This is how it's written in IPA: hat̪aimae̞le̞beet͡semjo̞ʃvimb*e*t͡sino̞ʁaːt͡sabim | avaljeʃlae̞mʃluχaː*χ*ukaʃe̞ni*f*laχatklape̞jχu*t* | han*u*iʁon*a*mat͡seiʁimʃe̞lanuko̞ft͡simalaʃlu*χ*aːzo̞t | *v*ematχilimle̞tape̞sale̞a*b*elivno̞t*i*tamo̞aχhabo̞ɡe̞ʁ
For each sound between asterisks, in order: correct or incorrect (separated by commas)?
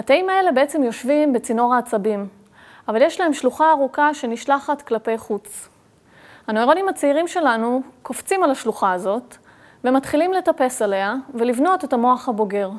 correct, incorrect, incorrect, incorrect, incorrect, incorrect, correct, correct, incorrect, incorrect